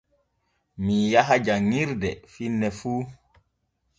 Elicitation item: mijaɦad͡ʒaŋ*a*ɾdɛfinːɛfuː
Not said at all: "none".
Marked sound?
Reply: i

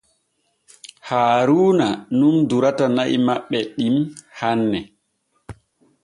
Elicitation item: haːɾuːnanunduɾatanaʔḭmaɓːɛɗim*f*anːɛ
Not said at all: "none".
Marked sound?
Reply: h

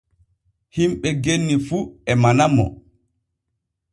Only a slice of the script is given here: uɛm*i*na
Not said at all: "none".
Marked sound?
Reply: a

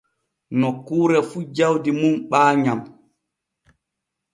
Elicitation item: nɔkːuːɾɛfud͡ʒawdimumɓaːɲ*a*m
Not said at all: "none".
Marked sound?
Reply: a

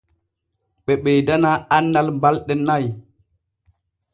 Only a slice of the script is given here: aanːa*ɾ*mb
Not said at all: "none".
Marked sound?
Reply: l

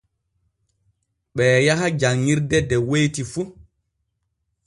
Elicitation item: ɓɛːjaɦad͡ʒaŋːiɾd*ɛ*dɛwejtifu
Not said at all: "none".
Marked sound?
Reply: ɛ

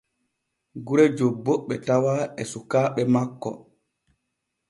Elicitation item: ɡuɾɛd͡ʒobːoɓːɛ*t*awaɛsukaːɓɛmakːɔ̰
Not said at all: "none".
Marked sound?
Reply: t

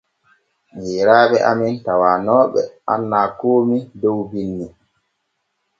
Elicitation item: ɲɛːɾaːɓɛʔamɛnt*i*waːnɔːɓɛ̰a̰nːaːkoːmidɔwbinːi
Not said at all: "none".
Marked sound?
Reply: a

